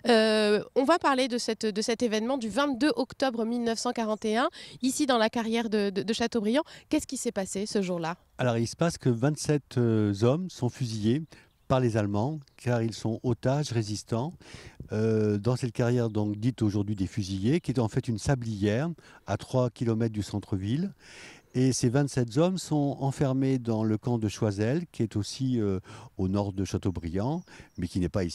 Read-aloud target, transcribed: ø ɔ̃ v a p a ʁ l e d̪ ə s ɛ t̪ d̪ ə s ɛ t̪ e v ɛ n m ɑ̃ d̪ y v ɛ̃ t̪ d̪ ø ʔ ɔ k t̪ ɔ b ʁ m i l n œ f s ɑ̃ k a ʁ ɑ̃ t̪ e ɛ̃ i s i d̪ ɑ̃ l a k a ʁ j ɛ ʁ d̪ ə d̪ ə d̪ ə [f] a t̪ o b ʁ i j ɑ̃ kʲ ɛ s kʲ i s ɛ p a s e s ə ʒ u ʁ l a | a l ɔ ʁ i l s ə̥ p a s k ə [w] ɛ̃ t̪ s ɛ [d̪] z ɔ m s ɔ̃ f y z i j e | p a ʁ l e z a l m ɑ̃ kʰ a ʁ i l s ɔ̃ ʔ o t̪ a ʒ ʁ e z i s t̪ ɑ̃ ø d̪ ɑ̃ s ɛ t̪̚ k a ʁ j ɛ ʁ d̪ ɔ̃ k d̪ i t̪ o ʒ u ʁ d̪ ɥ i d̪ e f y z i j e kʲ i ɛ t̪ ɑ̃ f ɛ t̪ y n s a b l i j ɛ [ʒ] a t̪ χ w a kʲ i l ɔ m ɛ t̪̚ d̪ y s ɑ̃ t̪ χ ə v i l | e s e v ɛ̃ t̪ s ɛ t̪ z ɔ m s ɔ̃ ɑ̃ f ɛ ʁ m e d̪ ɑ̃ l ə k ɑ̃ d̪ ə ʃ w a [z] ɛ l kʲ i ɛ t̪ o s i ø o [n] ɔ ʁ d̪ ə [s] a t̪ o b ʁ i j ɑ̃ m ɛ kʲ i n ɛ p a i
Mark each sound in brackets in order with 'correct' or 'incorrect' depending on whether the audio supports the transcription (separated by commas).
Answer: incorrect, incorrect, incorrect, incorrect, correct, correct, incorrect